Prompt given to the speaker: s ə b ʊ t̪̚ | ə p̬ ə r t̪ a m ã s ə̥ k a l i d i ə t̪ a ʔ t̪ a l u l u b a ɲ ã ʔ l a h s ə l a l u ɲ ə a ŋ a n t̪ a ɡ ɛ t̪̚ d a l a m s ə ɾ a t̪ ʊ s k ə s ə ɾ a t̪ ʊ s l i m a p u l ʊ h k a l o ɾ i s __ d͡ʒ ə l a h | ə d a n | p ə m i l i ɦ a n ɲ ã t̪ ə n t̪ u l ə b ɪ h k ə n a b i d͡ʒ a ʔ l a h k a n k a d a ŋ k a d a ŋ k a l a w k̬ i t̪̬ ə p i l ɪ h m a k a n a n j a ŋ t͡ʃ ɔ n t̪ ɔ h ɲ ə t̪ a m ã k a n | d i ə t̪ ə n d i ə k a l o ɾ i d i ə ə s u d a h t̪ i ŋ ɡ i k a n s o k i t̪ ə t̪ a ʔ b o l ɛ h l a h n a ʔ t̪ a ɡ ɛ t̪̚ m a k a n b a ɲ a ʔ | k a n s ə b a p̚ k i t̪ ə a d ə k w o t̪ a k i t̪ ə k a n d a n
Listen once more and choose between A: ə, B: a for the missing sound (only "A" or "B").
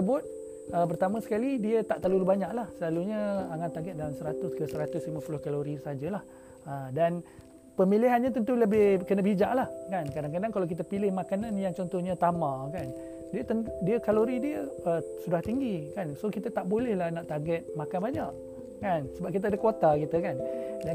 B